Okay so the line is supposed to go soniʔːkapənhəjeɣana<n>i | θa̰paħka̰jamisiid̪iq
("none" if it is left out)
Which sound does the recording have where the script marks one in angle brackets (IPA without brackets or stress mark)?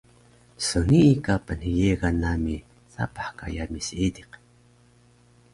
m